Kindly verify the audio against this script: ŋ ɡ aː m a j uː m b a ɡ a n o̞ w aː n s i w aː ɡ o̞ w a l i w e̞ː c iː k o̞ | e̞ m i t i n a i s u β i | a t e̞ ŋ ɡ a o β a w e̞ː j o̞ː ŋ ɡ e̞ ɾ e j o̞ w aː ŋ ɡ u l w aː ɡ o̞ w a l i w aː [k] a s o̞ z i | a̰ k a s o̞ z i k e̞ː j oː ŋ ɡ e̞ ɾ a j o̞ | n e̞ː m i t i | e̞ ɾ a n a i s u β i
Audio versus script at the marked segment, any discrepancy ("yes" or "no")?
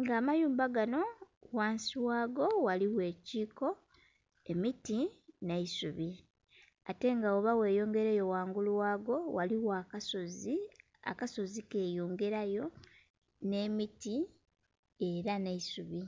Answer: no